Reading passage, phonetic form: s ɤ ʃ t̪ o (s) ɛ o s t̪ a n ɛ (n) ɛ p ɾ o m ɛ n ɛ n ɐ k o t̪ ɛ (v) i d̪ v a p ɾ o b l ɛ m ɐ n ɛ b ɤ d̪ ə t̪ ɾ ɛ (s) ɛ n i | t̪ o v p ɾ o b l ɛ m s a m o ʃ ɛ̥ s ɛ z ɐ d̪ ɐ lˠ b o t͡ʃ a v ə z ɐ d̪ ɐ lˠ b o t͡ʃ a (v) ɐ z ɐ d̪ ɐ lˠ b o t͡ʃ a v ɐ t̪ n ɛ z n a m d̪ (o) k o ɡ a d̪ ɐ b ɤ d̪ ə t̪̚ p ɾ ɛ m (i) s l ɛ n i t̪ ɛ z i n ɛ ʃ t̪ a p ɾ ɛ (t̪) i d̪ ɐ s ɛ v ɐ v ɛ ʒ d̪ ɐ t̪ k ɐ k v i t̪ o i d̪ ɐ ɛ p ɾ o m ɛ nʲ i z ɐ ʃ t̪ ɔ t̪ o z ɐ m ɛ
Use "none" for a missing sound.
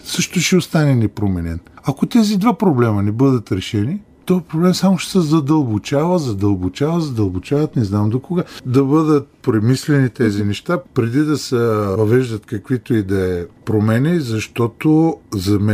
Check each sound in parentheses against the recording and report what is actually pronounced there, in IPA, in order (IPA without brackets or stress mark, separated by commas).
ʃ, n, z, ʃ, v, o, i, d̪